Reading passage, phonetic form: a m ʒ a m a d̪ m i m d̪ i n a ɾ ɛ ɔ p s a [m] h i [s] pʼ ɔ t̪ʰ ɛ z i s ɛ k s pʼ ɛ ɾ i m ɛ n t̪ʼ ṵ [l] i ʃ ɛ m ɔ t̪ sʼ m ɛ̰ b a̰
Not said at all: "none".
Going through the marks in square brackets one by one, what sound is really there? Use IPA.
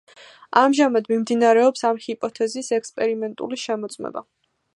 m, none, l

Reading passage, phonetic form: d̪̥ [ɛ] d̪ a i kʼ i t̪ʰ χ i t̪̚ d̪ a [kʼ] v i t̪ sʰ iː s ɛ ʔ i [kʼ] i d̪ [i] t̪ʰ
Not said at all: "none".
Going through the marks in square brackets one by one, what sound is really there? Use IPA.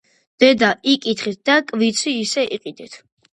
ɛ, kʼ, qʼ, ɛ

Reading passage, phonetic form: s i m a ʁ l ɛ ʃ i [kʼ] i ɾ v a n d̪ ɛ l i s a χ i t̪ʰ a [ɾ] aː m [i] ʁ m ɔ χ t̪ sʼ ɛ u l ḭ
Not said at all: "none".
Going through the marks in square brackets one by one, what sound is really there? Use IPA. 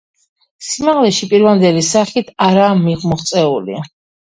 pʼ, ɾ, i

